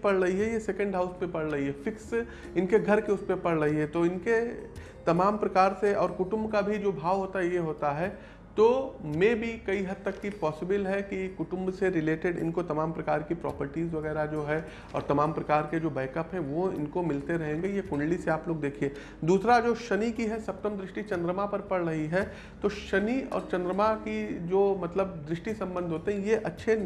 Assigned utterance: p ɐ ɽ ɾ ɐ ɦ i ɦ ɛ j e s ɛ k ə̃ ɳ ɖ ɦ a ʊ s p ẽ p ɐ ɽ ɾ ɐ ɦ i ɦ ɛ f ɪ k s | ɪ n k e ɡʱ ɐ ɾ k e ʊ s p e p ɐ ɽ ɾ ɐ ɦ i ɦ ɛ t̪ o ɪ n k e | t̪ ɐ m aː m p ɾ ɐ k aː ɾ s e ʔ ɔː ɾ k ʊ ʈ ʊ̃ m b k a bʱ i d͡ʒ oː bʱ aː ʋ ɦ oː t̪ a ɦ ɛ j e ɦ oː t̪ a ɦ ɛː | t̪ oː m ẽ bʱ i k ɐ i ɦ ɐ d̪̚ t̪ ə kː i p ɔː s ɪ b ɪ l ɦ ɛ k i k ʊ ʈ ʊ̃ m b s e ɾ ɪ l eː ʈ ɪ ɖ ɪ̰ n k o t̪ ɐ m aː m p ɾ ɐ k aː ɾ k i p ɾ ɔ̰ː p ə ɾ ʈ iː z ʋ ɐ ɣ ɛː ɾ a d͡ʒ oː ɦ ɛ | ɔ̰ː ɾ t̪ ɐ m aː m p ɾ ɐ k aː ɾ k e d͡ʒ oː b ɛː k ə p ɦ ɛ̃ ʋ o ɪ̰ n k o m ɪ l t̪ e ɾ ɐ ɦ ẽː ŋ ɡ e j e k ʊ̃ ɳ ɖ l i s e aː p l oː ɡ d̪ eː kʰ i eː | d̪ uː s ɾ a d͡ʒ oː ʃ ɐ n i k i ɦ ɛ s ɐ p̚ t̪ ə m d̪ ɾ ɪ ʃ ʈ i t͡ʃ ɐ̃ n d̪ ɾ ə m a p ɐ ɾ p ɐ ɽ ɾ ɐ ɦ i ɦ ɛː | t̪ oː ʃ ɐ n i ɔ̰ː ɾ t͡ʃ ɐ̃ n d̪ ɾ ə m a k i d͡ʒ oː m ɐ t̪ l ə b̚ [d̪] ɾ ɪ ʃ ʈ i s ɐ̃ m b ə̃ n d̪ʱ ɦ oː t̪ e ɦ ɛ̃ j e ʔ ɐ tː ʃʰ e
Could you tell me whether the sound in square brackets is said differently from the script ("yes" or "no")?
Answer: no